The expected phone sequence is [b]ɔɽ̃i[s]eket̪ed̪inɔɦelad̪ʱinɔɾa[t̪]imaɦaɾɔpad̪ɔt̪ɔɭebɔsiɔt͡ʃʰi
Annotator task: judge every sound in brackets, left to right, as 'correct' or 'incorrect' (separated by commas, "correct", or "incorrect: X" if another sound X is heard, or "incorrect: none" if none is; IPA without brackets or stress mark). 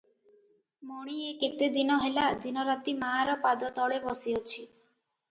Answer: incorrect: m, incorrect: none, correct